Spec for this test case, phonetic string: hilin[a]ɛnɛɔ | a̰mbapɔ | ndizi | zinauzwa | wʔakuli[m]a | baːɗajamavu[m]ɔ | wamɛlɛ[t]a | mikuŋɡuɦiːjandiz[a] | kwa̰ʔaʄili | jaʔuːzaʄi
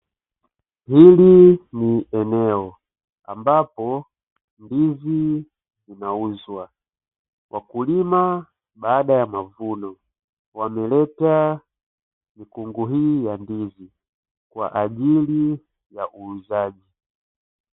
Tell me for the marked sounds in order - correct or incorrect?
incorrect, correct, incorrect, correct, incorrect

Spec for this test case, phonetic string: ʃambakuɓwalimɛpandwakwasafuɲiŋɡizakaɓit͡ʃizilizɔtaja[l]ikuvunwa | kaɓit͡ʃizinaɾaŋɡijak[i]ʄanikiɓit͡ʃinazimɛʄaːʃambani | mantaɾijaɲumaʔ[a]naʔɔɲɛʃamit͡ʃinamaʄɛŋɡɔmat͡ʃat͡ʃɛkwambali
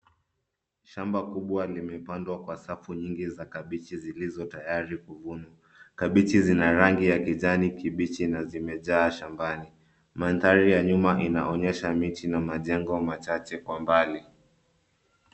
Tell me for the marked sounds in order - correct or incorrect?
incorrect, correct, incorrect

